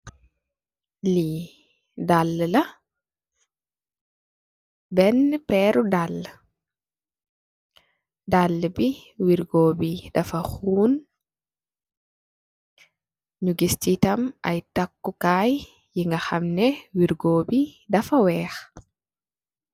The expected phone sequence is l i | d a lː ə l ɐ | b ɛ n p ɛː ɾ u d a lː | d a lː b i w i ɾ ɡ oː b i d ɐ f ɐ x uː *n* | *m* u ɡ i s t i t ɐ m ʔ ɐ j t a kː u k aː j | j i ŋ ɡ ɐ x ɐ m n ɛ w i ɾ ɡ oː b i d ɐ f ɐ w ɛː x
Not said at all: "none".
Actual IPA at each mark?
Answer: n, ɲ

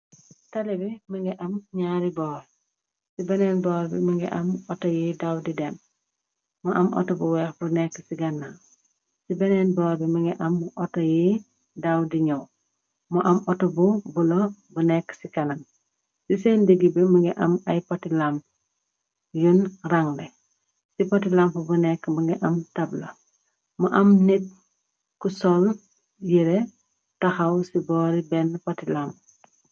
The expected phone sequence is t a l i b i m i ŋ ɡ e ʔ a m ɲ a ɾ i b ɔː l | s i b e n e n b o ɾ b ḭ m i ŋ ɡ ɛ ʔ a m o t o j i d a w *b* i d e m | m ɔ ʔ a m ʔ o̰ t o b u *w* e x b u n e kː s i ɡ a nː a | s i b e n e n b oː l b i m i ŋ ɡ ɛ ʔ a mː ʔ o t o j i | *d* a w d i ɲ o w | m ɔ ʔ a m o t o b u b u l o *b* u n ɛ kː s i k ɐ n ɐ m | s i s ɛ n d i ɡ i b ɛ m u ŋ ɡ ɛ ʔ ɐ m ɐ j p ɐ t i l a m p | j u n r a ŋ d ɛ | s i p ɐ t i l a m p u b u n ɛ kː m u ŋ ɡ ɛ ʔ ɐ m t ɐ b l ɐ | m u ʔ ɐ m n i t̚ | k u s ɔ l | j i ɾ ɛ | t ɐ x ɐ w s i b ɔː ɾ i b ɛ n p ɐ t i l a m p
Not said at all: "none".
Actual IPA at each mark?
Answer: d, w, d, b

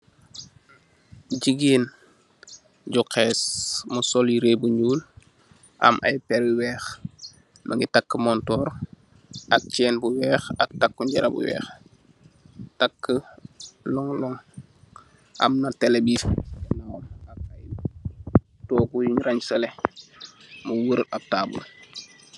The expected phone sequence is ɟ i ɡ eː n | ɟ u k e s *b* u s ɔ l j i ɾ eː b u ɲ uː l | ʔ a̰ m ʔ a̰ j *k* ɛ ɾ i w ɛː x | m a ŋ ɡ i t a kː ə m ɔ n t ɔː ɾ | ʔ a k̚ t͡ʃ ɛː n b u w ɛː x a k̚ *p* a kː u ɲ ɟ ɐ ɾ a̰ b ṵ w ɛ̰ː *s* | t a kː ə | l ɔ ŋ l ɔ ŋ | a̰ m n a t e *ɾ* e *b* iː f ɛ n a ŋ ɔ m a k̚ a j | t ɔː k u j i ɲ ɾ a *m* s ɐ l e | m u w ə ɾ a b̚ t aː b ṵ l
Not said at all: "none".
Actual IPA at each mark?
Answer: m, p, t, x, l, b, ɲ

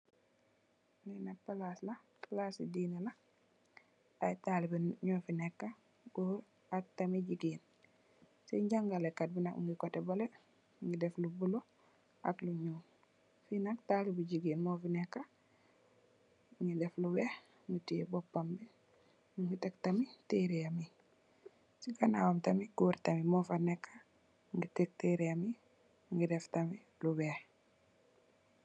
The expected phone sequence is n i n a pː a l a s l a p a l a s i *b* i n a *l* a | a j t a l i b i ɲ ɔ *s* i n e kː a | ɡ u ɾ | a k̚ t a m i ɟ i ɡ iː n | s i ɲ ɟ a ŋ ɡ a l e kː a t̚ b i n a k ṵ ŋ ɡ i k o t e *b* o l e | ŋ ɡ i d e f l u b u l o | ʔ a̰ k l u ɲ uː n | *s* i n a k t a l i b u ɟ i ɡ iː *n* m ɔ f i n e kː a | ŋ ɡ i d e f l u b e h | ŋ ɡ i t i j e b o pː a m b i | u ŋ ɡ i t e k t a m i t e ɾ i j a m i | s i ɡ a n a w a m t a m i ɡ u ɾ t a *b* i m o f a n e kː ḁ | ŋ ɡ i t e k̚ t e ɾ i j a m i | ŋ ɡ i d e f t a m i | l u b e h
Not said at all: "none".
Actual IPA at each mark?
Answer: d, l, f, b, f, n, m

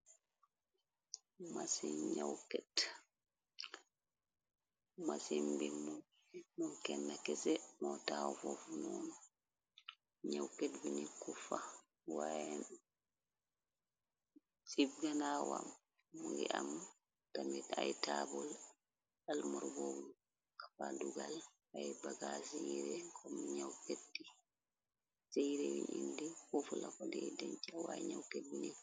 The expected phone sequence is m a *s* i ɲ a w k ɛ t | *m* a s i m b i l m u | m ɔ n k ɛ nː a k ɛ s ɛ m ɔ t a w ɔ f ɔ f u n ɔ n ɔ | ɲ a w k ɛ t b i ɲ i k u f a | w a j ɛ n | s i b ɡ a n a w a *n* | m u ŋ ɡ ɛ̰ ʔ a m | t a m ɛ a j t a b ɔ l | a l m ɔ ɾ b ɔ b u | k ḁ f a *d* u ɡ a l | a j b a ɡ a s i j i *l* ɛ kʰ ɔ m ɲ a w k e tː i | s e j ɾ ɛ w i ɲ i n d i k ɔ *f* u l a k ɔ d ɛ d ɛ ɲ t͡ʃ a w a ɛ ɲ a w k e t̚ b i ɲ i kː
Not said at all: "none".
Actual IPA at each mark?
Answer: s, m, m, d, ɾ, f

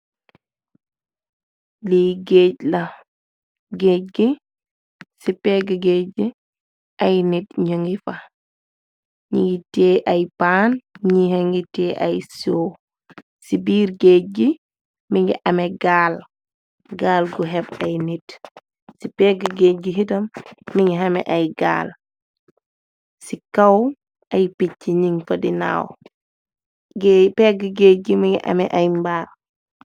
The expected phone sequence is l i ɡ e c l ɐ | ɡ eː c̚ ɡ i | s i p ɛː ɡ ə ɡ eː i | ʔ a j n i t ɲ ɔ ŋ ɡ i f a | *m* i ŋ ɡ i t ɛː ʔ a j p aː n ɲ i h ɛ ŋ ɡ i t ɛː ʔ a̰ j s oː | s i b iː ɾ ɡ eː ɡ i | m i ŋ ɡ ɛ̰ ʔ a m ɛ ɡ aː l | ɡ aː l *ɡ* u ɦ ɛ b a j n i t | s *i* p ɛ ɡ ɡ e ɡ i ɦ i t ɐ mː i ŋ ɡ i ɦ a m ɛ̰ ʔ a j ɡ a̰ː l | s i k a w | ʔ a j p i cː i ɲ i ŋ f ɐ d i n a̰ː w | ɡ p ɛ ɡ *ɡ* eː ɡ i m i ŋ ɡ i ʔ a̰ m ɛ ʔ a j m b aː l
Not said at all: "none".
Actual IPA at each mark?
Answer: ɲ, ɡ, i, ɡ

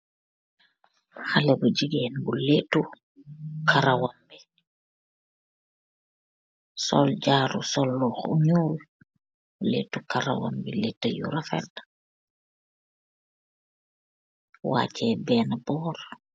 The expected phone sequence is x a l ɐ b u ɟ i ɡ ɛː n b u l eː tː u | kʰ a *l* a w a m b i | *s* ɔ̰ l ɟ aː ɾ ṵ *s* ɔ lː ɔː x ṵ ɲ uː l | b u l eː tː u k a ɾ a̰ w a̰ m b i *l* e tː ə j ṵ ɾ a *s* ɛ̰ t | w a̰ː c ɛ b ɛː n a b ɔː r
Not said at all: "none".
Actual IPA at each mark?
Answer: ɾ, s, s, l, f

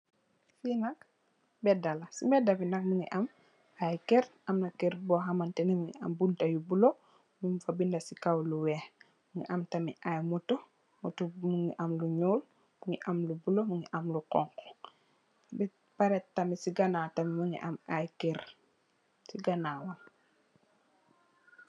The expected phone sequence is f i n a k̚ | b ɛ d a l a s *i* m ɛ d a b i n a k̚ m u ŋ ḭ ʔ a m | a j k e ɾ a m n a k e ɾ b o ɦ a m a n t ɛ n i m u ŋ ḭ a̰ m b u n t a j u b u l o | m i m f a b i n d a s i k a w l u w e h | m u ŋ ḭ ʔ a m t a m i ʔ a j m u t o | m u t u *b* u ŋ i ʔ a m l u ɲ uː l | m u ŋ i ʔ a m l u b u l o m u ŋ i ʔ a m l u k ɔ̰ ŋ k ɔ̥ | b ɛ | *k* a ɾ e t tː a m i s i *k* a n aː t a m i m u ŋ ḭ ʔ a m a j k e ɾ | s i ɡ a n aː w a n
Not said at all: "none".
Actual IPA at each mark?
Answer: i, m, p, ɡ

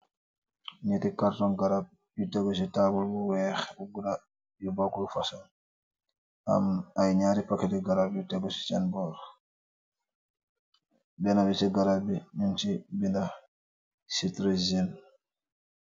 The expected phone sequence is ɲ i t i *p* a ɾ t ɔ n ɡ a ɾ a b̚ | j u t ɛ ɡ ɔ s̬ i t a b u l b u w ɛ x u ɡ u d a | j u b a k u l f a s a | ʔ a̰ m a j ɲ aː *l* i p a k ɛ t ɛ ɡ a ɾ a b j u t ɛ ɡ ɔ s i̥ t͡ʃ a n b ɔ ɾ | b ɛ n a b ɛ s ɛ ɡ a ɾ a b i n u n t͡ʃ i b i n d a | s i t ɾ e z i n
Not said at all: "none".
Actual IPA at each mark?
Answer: k, ɾ

